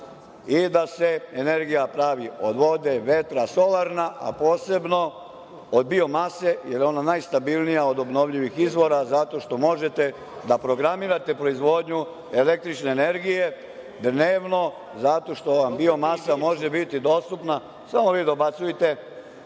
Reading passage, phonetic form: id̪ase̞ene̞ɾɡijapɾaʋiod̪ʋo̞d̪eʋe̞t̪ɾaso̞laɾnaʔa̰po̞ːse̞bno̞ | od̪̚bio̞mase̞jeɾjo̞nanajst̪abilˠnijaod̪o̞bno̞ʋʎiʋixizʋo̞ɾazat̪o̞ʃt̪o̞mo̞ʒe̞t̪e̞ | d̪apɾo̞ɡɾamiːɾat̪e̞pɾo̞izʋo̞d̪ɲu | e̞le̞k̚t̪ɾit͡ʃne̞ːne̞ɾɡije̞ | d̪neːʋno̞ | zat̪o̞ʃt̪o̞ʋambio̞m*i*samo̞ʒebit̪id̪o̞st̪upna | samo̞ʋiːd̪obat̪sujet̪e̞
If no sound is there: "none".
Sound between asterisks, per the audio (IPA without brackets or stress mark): a